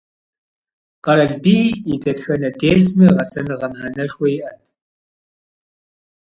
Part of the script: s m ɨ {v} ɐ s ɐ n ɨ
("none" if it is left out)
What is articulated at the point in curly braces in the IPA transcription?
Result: ʁ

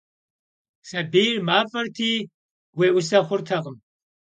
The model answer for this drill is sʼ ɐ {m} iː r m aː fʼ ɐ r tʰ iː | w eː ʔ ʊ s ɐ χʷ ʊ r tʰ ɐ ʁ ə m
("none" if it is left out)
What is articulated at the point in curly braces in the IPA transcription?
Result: b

